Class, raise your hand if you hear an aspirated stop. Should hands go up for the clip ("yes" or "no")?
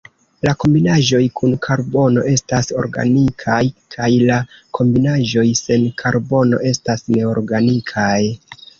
yes